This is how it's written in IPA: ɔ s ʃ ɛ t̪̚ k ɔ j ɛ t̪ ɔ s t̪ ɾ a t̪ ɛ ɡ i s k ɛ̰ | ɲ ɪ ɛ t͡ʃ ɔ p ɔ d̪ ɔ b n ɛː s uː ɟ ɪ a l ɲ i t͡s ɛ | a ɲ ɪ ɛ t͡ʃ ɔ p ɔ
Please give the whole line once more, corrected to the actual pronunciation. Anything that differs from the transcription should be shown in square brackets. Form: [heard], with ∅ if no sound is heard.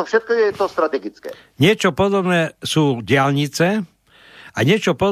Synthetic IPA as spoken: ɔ [f] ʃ ɛ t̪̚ k ɔ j ɛ t̪ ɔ s t̪ ɾ a t̪ ɛ ɡ i [t͡s] k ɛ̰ | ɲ ɪ ɛ t͡ʃ ɔ p ɔ d̪ ɔ b n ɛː s uː ɟ ɪ a l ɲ i t͡s ɛ | a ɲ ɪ ɛ t͡ʃ ɔ p ɔ